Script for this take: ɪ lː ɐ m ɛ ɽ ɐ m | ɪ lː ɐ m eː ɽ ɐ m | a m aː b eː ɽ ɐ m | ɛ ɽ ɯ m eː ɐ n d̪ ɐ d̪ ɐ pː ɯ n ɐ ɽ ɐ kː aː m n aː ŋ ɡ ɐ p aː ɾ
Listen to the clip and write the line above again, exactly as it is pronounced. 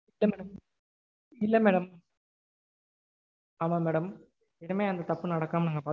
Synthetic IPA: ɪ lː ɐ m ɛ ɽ ɐ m | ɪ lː ɐ m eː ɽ ɐ m | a m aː m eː ɽ ɐ m | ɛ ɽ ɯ m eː ɐ n d̪ ɐ t̪ ɐ pː ɯ n ɐ ɽ ɐ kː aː m n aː ŋ ɡ ɐ p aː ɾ